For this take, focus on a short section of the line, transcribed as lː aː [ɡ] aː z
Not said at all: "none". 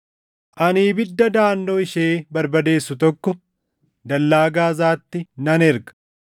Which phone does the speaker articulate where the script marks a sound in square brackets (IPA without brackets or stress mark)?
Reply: ɡ